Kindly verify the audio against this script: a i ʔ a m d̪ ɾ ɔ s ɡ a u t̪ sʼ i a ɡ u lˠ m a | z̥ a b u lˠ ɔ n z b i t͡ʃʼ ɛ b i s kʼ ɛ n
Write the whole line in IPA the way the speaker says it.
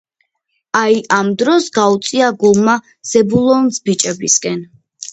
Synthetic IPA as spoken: a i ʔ a m d̪ ɾ ɔ s ɡ a u t̪ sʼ i a ɡ u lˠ m a | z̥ ɛ b u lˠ ɔ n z b i t͡ʃʼ ɛ b i s kʼ ɛ n

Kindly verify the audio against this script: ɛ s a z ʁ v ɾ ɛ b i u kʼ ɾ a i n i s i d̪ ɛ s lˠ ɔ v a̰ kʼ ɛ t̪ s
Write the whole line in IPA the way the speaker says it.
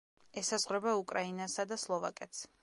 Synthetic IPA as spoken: ɛ s a z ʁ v ɾ ɛ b a u kʼ ɾ a i n a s a d̪ a s lˠ ɔ v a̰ kʼ ɛ t̪ s

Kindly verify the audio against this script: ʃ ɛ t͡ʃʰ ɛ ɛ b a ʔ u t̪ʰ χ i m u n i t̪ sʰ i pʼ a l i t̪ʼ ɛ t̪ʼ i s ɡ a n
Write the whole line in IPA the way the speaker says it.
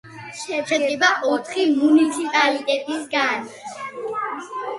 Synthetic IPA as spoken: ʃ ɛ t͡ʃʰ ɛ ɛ b a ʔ ɔ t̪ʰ χ i m u n i t̪ sʰ i pʼ a l i t̪ʼ ɛ t̪ʼ i s ɡ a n

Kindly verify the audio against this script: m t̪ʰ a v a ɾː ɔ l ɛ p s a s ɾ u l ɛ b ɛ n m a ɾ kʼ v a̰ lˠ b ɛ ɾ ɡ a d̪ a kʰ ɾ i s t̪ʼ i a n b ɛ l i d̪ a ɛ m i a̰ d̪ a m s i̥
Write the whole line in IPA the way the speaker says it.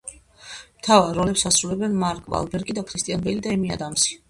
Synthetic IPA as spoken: m t̪ʰ a v a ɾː ɔ l ɛ p s a s ɾ u l ɛ b ɛ n m a ɾ kʼ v a̰ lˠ b ɛ ɾ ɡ i d̪ a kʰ ɾ i s t̪ʼ i a n b ɛ l i d̪ a ɛ m i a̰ d̪ a m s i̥

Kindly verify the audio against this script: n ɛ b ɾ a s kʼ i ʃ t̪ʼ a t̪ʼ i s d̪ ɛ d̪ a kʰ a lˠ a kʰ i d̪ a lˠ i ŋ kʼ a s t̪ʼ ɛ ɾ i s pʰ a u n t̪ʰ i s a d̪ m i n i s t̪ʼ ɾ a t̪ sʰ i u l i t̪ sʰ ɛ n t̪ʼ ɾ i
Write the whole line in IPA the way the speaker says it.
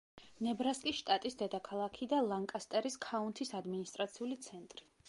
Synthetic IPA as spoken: n ɛ b ɾ a s kʼ i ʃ t̪ʼ a t̪ʼ i s d̪ ɛ d̪ a kʰ a lˠ a kʰ i d̪ a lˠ a ŋ kʼ a s t̪ʼ ɛ ɾ i s kʰ a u n t̪ʰ i s a d̪ m i n i s t̪ʼ ɾ a t̪ sʰ i u l i t̪ sʰ ɛ n t̪ʼ ɾ i

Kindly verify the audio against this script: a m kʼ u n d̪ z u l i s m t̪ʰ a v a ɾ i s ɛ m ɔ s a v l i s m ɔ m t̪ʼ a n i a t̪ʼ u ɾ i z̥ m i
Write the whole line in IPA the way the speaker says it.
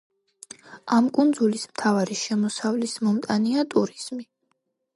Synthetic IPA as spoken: a m kʼ u n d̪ z u l i s m t̪ʰ a v a ɾ i ʃ ɛ m ɔ s a v l i s m ɔ m t̪ʼ a n i a t̪ʼ u ɾ i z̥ m i

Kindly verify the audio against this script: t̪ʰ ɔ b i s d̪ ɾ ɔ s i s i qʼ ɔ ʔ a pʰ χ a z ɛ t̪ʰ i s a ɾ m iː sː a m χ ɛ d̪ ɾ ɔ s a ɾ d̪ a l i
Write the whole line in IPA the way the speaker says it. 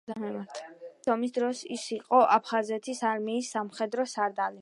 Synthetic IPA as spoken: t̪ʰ ɔ m i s d̪ ɾ ɔ s i s i qʼ ɔ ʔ a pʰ χ a z ɛ t̪ʰ i s a ɾ m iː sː a m χ ɛ d̪ ɾ ɔ s a ɾ d̪ a l i

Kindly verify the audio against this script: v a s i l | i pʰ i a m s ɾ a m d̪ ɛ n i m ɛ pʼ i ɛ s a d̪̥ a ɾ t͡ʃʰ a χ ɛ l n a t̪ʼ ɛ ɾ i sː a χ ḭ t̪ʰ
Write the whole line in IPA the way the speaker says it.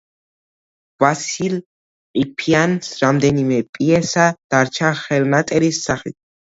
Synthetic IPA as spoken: v a s i l | i pʰ i a n s ɾ a m d̪ ɛ n i m ɛ pʼ i ɛ s a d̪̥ a ɾ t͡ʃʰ a χ ɛ l n a t̪ʼ ɛ ɾ i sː a χ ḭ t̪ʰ

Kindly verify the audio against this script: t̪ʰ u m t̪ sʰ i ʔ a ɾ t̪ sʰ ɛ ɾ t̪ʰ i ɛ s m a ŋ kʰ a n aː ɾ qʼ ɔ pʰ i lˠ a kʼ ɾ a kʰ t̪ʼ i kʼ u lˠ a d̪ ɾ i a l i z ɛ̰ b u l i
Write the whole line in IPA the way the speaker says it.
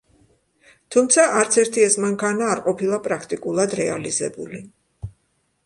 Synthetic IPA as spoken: t̪ʰ u m t̪ sʰ a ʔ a ɾ t̪ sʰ ɛ ɾ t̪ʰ i ɛ s m a ŋ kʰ a n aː ɾ qʼ ɔ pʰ i lˠ a pʼ ɾ a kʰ t̪ʼ i kʼ u lˠ a d̪ ɾ ɛ a l i z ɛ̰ b u l i

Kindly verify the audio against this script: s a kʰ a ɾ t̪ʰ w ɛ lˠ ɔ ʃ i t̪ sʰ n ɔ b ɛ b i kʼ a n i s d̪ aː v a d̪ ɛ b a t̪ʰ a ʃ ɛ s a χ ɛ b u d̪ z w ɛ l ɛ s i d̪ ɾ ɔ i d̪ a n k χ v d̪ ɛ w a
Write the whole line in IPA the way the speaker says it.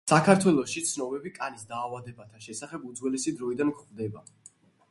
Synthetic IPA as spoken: s a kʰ a ɾ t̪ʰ w ɛ lˠ ɔ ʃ i t̪ sʰ n ɔ b ɛ b i kʼ a n i s d̪ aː v a d̪ ɛ b a t̪ʰ a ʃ ɛ s a χ ɛ b u d̪ z w ɛ l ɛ s i d̪ ɾ ɔ i d̪ a n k χ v d̪ ɛ b a

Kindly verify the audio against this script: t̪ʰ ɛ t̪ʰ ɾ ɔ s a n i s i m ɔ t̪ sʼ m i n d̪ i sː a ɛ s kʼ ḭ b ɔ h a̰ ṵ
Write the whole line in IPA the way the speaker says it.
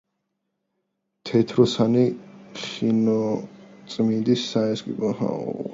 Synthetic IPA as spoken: t̪ʰ ɛ t̪ʰ ɾ ɔ s a n i χ i n ɔ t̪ sʼ m i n d̪ i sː a ɛ s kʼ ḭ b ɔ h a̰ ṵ

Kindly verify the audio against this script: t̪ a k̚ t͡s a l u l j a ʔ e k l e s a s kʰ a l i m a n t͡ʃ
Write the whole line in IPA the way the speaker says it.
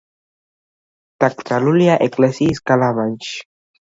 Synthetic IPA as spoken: t̪ a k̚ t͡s a l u l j a ʔ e k l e s i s k a l a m a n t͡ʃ

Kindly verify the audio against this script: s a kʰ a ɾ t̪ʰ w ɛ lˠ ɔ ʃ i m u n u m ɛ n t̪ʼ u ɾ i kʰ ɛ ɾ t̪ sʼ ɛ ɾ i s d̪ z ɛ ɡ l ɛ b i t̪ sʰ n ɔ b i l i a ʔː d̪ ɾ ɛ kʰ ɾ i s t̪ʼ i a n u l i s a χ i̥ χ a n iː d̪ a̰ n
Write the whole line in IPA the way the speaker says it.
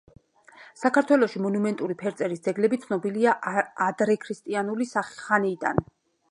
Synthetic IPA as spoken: s a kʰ a ɾ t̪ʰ w ɛ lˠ ɔ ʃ i m ɔ n u m ɛ n t̪ʼ u ɾ i pʰ ɛ ɾ t̪ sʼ ɛ ɾ i s d̪ z ɛ ɡ l ɛ b i t̪ sʰ n ɔ b i l i a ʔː d̪ ɾ ɛ kʰ ɾ i s t̪ʼ i a n u l i s a χ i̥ χ a n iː d̪ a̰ n

